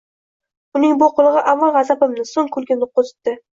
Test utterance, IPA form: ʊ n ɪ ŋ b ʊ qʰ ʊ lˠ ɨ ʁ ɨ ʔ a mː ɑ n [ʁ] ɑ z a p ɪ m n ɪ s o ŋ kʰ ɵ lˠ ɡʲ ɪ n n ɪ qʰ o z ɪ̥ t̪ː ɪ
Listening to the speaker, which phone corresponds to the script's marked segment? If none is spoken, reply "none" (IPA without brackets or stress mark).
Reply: ʁ